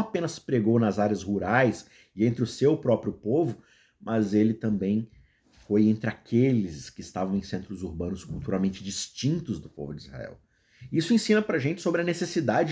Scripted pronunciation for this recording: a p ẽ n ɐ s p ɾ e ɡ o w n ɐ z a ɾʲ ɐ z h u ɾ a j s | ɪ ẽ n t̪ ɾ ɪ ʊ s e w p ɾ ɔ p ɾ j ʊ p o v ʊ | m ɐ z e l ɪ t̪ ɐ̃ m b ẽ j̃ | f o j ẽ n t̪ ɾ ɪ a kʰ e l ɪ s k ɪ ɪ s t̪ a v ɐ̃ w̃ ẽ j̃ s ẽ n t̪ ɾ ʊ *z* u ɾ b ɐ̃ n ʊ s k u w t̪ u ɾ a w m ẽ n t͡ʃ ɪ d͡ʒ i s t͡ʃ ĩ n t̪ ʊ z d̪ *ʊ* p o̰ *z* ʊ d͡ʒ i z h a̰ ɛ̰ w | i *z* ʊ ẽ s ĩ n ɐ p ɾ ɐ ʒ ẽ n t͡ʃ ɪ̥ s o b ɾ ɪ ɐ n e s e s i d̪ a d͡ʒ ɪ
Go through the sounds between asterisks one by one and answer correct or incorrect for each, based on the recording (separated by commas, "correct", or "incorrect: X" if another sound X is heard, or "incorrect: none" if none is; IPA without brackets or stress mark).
correct, correct, incorrect: v, incorrect: s